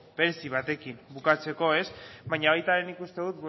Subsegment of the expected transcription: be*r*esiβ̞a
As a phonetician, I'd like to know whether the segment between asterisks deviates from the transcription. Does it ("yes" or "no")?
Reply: yes